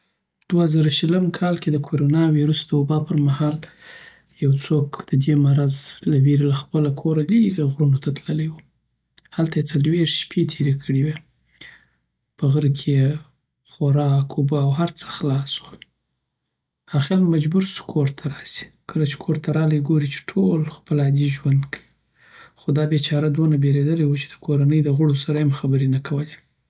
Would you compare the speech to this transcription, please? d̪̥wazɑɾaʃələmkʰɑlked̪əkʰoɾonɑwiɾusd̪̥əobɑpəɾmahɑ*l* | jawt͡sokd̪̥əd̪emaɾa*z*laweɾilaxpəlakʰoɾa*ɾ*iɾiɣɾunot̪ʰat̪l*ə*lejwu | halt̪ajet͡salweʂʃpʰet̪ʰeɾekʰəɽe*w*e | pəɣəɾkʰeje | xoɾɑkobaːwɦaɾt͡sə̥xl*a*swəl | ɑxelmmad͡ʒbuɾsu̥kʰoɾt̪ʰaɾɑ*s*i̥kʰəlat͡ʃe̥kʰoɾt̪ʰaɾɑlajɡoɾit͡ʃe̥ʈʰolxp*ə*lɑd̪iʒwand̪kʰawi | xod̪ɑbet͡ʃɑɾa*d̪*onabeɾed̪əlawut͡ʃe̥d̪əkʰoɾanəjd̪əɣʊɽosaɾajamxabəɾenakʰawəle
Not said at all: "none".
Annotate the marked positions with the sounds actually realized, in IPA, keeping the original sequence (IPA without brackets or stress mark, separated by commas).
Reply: l, z, l, ə, w, ɑ, s, ə, d̪